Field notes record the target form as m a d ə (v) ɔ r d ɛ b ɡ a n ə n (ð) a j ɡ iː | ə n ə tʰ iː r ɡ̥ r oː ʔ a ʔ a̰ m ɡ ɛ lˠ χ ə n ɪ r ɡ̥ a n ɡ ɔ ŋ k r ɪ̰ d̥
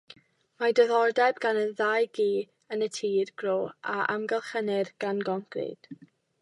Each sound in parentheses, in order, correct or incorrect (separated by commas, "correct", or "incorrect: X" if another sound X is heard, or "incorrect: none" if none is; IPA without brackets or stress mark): incorrect: ð, correct